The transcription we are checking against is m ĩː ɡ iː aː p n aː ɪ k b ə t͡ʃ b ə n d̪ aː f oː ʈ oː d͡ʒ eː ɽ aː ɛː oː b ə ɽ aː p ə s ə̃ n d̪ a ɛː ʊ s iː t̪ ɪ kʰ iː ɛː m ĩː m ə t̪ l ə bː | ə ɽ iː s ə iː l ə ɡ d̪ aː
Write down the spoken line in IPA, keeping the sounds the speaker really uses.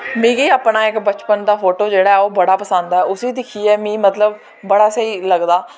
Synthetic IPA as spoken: m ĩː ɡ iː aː p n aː ɪ k b ə t͡ʃ p ə n d̪ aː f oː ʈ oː d͡ʒ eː ɽ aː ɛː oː b ə ɽ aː p ə s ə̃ n d̪ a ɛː ʊ s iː d̪ ɪ kʰ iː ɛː m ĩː m ə t̪ l ə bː | ə ɽ aː s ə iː l ə ɡ d̪ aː